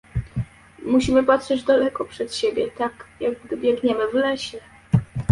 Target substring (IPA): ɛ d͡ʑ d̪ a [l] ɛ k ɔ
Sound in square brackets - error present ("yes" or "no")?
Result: no